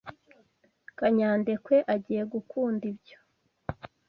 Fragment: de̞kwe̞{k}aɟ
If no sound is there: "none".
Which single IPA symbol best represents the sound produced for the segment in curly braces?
ʔ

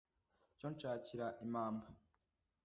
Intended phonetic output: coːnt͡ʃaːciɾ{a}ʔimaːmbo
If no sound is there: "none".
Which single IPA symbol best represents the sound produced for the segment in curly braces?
a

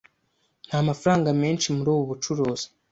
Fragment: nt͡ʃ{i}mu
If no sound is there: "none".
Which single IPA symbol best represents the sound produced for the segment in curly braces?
i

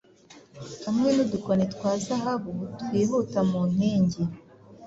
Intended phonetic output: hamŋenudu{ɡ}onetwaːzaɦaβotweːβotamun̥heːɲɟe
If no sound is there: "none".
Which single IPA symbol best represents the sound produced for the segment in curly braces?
k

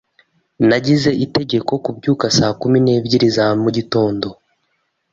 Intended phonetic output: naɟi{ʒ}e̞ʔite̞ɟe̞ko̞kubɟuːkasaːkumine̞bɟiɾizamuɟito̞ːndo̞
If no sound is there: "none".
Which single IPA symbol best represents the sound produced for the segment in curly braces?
z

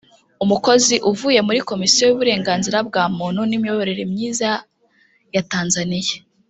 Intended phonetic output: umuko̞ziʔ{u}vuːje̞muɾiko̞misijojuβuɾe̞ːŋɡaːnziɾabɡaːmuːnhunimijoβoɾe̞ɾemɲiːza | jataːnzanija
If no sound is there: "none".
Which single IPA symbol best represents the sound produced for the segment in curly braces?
u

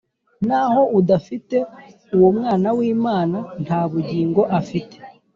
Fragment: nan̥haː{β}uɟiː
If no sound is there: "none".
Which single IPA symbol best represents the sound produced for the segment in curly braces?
β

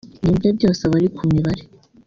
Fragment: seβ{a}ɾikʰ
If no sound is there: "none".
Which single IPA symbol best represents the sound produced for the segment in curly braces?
a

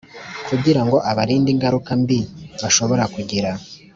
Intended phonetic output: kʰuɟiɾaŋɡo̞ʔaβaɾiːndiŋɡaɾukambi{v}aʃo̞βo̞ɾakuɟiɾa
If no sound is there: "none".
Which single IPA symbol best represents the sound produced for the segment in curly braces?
β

